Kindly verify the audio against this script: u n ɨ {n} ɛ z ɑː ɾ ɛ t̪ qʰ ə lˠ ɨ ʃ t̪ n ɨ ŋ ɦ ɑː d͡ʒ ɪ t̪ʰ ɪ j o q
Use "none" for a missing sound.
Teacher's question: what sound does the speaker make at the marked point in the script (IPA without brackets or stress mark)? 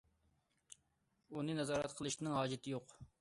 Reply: n